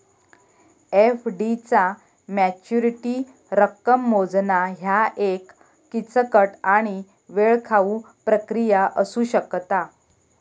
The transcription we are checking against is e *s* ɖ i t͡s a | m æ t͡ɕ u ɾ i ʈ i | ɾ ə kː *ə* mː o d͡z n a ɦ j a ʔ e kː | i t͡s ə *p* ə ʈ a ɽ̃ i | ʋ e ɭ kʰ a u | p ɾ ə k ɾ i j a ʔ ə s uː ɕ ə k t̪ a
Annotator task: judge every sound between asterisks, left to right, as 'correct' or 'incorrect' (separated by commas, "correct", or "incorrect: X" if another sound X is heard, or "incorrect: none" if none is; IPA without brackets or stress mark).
incorrect: f, correct, incorrect: k